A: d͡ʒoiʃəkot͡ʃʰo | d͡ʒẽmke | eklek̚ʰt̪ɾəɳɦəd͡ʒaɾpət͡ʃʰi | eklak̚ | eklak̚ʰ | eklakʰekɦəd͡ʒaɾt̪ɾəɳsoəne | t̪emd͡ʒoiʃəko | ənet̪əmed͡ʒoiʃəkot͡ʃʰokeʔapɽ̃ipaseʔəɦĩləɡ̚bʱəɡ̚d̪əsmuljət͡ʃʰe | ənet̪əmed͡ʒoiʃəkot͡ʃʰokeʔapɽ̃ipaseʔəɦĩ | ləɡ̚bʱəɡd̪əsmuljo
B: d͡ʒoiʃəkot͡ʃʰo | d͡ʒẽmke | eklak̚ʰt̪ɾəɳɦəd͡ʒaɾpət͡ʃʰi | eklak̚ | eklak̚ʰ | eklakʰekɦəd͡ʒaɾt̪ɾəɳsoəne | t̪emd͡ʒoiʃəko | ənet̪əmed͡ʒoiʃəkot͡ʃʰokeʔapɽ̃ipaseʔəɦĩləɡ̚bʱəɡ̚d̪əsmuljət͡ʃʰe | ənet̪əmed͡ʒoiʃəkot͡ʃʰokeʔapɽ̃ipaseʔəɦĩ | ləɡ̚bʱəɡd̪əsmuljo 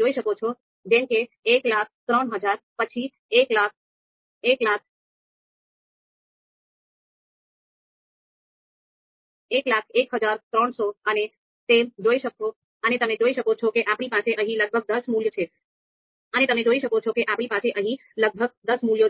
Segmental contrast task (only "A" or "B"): B